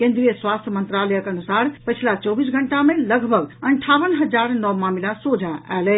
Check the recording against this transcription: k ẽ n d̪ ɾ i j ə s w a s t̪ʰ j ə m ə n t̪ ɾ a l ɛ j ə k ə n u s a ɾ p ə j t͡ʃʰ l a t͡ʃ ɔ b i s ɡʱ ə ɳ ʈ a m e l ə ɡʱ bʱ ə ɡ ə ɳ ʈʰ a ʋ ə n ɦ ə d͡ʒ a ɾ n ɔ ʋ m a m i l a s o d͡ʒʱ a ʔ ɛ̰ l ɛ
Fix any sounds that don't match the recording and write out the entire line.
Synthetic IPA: k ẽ n d̪ ɾ i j ə s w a s t̪ʰ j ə m ə n t̪ ɾ a l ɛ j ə k ə n u s a ɾ p ə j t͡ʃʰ l a t͡ʃ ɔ b i s ɡʱ ə ɳ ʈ a m e l ə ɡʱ bʱ ə ɡ ə ɳ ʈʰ a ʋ ə n ɦ ə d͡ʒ a ɾ n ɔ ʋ m a m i l a s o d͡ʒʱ a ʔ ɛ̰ l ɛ